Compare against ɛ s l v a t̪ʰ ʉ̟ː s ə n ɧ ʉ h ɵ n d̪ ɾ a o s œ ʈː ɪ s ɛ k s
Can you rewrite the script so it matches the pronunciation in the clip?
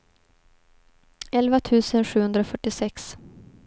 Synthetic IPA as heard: ɛ l v a t̪ʰ ʉ̟ː s ə n ɧ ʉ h ɵ n d̪ ɾ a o f œ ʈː ɪ s ɛ k s

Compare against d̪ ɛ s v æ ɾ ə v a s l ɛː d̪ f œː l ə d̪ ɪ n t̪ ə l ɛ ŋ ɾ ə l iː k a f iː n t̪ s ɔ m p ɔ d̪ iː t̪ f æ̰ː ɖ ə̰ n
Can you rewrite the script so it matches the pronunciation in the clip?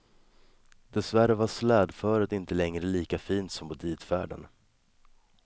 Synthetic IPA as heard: d̪ ɛ s v æ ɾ ə v a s l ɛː d̪ f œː ɾ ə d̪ ɪ n t̪ ə l ɛ ŋ ɾ ə l iː k a f iː n t̪ s ɔ m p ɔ d̪ iː t̪ f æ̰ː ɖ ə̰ n

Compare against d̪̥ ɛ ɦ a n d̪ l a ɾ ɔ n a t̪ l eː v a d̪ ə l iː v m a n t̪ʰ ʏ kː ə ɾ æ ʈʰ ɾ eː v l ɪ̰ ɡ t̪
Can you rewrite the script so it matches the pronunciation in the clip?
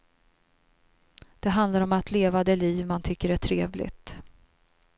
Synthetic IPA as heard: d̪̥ ɛ ɦ a n d̪ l a ɾ ɔ m a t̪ l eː v a d̪ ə l iː v m a n t̪ʰ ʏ kː ə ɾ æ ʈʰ ɾ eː v l ɪ̰ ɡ t̪

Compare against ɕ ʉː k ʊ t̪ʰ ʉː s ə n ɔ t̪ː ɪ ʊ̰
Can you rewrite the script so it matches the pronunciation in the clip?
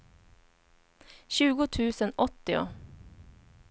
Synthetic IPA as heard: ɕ ʉː ɡ ʊ t̪ʰ ʉː s ə n ɔ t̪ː ɪ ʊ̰

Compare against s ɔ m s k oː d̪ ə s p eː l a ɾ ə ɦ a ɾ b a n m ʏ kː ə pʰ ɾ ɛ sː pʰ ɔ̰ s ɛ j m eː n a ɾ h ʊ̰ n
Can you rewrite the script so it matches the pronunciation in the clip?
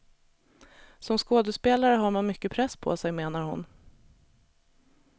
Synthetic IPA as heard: s ɔ m s k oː d̪ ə s p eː l a ɾ ə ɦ a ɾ m a n m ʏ kː ə pʰ ɾ ɛ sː pʰ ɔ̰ s ɛ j m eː n a ɾ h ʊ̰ n

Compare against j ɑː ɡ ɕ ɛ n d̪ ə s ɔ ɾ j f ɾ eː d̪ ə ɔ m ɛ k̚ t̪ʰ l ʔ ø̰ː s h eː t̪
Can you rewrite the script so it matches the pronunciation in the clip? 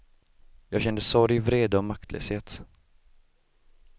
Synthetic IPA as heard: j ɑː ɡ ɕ ɛ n d̪ ə s ɔ ɾ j v ɾ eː d̪ ə ɔ m a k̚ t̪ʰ l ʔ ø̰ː s h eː t̪

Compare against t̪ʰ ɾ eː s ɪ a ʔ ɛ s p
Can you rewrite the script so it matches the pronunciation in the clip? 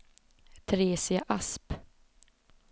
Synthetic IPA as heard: t̪ʰ ɾ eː s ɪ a ʔ a s p

